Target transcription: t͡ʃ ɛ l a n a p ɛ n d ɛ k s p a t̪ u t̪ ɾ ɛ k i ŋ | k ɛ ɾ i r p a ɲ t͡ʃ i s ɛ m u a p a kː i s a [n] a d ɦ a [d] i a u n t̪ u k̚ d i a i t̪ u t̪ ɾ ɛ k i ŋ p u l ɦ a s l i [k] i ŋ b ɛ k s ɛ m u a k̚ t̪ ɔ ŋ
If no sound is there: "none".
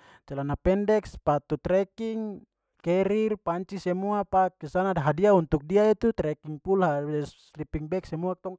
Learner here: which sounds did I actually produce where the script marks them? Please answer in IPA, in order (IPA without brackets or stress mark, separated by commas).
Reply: n, d, p